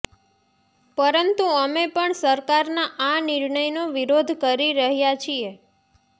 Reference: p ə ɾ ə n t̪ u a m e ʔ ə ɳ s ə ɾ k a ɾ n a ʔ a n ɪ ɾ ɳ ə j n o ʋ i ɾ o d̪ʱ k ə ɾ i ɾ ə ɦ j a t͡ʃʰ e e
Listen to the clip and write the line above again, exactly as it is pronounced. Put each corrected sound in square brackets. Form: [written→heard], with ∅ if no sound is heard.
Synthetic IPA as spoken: p ə ɾ ə n t̪ u [a→ə] m e [ʔ→p] ə ɳ s ə ɾ k a ɾ n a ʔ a n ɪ ɾ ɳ ə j n o ʋ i ɾ o d̪ʱ k ə ɾ i ɾ ə ɦ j a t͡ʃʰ [e→i] e

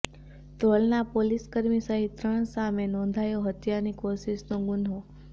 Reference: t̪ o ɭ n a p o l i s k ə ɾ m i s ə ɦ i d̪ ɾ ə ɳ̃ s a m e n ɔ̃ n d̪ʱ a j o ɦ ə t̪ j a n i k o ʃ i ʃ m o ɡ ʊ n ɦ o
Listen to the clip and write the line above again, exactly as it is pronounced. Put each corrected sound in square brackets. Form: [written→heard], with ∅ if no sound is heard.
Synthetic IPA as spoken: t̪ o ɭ n a p o l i s k ə ɾ m i s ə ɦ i [d̪→t̪] ɾ ə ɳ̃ s a m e n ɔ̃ n d̪ʱ a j o ɦ ə t̪ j a n i k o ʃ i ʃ [m→n] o ɡ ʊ n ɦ o

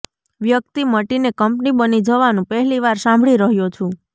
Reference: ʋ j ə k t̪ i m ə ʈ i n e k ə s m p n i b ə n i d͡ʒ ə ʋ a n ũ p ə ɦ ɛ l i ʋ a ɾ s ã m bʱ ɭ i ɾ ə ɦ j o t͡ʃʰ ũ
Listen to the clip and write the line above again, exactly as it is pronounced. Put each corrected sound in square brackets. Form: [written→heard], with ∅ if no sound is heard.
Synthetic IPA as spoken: ʋ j ə k t̪ i m ə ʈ i n e k ə [s→∅] m p n i b ə n i d͡ʒ ə ʋ a n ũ p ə ɦ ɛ l i ʋ a ɾ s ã m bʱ ɭ i ɾ ə ɦ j o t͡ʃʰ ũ

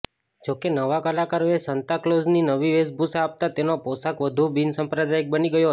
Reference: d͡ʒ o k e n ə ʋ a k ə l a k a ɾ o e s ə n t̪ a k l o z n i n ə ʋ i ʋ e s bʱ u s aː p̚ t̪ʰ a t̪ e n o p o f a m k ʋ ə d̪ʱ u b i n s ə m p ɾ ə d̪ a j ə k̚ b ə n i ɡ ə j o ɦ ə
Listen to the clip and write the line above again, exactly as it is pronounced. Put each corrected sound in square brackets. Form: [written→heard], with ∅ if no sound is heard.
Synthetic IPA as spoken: d͡ʒ o k e n ə ʋ a k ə l a k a ɾ o e s ə n t̪ a k l o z n i n ə ʋ i ʋ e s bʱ u s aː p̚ [t̪ʰ→t̪] a t̪ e n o p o [f→s] a [m→∅] k ʋ ə d̪ʱ u b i n s ə m p ɾ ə d̪ a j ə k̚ b ə n i ɡ ə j o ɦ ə

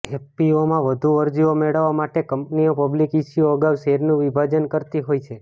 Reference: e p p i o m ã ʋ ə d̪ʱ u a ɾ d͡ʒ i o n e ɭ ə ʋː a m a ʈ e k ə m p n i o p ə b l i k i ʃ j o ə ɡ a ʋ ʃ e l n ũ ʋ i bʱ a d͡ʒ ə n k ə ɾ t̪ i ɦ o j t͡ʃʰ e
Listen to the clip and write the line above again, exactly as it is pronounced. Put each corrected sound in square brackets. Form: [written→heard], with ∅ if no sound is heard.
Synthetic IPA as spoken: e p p i o m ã ʋ ə d̪ʱ u [a→ə] ɾ d͡ʒ i o [n→m] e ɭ ə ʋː a m a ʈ e k ə m p n i o p ə b l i k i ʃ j o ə ɡ a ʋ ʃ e [l→ɾ] n ũ ʋ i bʱ a d͡ʒ ə n k ə ɾ t̪ i ɦ o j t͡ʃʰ e

